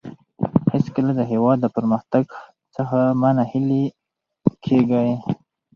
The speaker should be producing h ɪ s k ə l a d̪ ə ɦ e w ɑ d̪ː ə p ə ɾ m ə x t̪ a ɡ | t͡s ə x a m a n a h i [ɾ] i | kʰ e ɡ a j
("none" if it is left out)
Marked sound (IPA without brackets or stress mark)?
l